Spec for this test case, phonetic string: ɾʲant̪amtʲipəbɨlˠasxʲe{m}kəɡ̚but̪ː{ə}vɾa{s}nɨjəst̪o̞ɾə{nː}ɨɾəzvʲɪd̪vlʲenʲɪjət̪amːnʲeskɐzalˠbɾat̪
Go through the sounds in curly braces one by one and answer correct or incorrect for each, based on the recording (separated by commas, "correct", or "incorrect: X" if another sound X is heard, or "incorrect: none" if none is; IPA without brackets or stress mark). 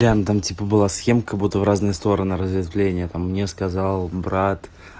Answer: correct, correct, incorrect: z, incorrect: n